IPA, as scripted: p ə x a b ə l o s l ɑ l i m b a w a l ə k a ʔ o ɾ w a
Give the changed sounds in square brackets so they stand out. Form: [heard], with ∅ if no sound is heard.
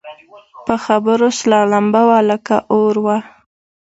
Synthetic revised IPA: p ə x a b ə [ɾ] o s l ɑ l [a] m b a w a l ə k a ʔ o ɾ w a